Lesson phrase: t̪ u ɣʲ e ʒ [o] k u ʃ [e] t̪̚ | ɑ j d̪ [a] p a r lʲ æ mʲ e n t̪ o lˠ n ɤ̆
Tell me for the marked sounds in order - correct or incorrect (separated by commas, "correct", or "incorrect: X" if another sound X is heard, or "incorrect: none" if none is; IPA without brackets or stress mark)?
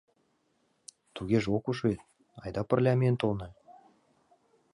correct, correct, incorrect: ɑ